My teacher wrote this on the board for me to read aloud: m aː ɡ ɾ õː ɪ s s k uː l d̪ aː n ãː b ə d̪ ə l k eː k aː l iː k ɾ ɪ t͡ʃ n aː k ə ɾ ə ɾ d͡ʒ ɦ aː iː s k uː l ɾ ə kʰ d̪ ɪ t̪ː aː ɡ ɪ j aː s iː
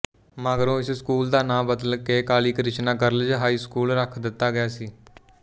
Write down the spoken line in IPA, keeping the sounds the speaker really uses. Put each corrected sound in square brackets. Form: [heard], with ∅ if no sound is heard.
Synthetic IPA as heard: m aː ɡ ɾ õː ɪ s s k uː l d̪ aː n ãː b ə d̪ ə l k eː k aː l iː k ɾ ɪ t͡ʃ n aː k ə ɾ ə [l] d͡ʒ ɦ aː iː s k uː l ɾ ə kʰ d̪ ɪ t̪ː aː ɡ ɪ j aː s iː

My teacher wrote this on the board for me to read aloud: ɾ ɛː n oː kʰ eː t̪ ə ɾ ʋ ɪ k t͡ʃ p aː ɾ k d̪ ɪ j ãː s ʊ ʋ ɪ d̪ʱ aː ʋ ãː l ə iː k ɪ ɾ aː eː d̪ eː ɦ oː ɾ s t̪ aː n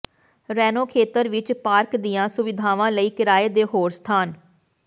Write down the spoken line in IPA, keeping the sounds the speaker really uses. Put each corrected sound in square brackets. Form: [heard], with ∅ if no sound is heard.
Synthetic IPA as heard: ɾ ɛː n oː kʰ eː t̪ ə ɾ ʋ ɪ [∅] t͡ʃ p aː ɾ k d̪ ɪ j ãː s ʊ ʋ ɪ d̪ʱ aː ʋ ãː l ə iː k ɪ ɾ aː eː d̪ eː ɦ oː ɾ s [t̪ʰ] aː n

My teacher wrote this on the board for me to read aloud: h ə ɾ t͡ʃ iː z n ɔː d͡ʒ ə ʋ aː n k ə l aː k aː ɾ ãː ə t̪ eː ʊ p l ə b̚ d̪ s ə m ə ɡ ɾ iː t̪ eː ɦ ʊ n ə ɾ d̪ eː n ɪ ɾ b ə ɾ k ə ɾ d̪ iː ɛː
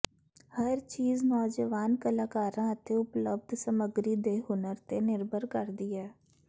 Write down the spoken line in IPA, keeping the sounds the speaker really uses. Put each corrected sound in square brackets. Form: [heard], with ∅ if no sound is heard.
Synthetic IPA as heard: h ə ɾ t͡ʃ iː z n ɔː d͡ʒ ə ʋ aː n k ə l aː k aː ɾ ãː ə t̪ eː ʊ p l ə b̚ d̪ s ə m ə ɡ ɾ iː [d̪] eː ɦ ʊ n ə ɾ [t̪] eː n ɪ ɾ b ə ɾ k ə ɾ d̪ iː ɛː

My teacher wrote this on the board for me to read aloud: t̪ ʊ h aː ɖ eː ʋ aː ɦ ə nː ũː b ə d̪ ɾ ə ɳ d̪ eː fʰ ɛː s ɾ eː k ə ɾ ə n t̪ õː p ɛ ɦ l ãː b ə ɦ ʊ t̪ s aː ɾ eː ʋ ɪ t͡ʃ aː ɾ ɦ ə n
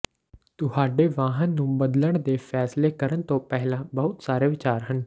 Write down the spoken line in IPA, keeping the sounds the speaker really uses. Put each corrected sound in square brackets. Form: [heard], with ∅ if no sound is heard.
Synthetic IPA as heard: t̪ ʊ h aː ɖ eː ʋ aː ɦ ə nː ũː b ə d̪ [l] ə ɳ d̪ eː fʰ ɛː s [l] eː k ə ɾ ə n t̪ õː p ɛ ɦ l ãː b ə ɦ ʊ t̪ s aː ɾ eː ʋ ɪ t͡ʃ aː ɾ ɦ ə n

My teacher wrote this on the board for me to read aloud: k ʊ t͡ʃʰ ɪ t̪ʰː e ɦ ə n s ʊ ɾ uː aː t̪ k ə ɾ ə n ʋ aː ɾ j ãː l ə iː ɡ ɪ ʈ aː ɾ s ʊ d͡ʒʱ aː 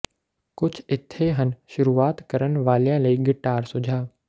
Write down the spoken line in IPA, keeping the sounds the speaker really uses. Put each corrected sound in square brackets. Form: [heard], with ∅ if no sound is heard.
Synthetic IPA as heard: k ʊ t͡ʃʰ ɪ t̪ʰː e ɦ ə n [ʃ] ʊ ɾ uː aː t̪ k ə ɾ ə n ʋ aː [l] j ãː l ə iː ɡ ɪ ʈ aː ɾ s ʊ d͡ʒʱ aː

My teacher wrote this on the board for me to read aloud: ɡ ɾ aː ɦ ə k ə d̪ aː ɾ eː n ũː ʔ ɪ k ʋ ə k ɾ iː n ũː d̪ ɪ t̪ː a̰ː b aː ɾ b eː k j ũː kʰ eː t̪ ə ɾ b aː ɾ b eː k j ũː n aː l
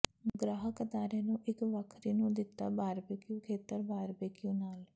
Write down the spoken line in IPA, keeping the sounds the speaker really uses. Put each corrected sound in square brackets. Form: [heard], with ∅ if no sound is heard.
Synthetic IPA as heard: ɡ ɾ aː ɦ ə k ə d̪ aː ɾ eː n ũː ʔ ɪ k ʋ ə [kʰ] ɾ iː n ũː d̪ ɪ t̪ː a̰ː b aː ɾ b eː k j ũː kʰ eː t̪ ə ɾ b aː ɾ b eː k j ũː n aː l

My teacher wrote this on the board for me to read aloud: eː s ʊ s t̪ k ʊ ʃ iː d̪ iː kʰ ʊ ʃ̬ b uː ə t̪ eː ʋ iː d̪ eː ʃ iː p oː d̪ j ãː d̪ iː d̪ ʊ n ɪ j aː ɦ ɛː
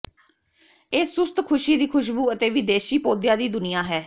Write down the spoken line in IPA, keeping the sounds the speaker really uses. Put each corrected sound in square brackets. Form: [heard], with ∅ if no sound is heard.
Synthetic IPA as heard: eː s ʊ s t̪ [kʰ] ʊ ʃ iː d̪ iː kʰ ʊ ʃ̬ b uː ə t̪ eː ʋ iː d̪ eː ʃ iː p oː d̪ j [aː] d̪ iː d̪ ʊ n ɪ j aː ɦ ɛː

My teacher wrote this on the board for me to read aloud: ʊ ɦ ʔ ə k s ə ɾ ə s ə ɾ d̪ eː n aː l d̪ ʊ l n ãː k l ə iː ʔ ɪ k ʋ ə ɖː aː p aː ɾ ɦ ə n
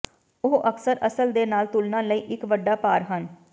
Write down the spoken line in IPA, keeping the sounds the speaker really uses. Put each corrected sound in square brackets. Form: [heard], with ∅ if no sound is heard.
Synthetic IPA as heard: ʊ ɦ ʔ ə k s ə ɾ ə s ə [l] d̪ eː n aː l [t̪] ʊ l n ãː [∅] l ə iː ʔ ɪ k ʋ ə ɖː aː p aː ɾ ɦ ə n

